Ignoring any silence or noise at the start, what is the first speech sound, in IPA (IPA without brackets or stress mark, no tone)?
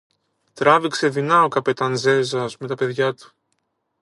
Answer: t̪